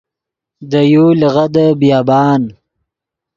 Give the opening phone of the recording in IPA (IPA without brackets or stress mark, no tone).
d̪